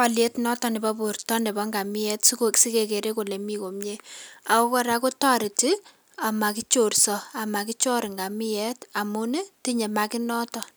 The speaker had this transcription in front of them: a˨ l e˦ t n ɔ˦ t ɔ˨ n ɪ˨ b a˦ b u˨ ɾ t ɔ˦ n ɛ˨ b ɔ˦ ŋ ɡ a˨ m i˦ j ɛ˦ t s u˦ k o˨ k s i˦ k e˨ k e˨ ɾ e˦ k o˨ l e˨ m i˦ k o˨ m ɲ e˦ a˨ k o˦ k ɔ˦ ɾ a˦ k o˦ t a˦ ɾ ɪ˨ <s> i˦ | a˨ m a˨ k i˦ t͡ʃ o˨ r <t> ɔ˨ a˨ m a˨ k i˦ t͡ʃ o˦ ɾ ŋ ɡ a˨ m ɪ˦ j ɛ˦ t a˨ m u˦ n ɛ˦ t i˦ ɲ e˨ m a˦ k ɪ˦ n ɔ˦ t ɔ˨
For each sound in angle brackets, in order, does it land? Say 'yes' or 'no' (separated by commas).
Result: no, no